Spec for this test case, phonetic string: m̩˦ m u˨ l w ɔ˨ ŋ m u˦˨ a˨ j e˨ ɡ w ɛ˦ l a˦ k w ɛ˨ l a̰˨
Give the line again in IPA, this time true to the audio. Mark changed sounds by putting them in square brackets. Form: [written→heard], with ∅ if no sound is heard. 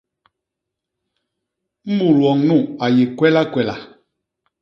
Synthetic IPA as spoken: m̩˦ m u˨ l w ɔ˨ ŋ [m→n] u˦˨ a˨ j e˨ [ɡ→k] w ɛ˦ l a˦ k w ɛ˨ l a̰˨